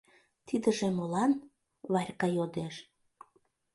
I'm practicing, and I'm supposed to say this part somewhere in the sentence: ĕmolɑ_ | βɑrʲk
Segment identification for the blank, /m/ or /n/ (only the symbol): n